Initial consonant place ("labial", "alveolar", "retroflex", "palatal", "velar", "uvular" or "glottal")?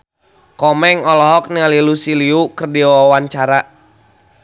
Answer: velar